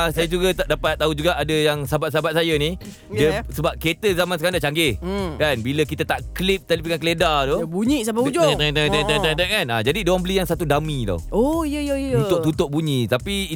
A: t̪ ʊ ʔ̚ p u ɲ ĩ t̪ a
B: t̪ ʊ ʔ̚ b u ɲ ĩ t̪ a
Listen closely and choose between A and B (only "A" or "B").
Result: B